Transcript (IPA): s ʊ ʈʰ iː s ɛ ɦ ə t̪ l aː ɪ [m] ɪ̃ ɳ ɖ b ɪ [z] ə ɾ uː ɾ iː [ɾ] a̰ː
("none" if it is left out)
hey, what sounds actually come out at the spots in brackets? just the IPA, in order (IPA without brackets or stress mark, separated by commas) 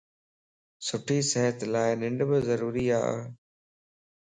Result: n, z, none